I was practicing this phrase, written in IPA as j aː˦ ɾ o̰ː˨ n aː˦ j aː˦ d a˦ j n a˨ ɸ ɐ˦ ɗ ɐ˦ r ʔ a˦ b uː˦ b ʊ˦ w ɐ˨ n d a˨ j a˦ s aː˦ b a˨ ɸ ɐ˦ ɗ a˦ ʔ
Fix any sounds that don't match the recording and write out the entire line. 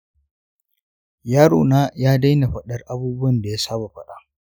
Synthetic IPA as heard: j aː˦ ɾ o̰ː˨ n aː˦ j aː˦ d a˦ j n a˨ ɸ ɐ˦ ɗ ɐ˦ r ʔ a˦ b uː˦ b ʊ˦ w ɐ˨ n d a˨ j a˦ s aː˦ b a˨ ɸ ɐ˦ ɗ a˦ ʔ